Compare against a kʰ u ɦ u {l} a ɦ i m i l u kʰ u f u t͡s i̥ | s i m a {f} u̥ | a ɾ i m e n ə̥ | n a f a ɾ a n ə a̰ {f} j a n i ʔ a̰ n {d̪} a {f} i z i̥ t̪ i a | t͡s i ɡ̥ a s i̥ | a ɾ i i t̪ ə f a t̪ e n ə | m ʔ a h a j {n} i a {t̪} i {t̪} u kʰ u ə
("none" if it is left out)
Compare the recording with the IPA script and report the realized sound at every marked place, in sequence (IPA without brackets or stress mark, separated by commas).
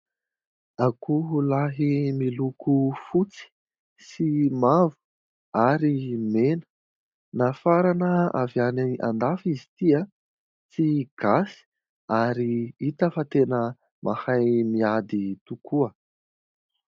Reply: l, v, v, d̪, f, m, d̪, t̪